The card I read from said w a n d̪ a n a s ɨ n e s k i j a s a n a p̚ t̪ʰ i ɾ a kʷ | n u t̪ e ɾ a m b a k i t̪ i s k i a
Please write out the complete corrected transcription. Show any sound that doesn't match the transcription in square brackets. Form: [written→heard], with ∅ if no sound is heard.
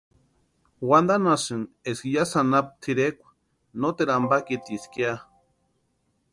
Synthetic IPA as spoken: w a n d̪ a n a s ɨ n e s k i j a s a n a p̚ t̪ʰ i ɾ [a→e] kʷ | n [u→o] t̪ e ɾ a m b a k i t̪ i s k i a